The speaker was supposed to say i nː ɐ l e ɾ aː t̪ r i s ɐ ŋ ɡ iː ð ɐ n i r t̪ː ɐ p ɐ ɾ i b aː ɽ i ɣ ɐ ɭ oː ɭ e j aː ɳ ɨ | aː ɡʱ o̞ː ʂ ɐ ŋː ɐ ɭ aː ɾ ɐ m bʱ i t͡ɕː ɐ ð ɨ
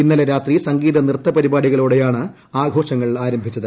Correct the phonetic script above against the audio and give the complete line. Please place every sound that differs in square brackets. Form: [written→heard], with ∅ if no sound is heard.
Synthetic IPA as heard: i nː ɐ l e ɾ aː t̪ r i s ɐ ŋ ɡ iː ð ɐ n i r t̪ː ɐ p ɐ ɾ i b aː ɽ i ɣ ɐ ɭ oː [ɭ→ɽ] e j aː ɳ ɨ | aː ɡʱ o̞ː ʂ ɐ ŋː ɐ ɭ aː ɾ ɐ m bʱ i t͡ɕː ɐ ð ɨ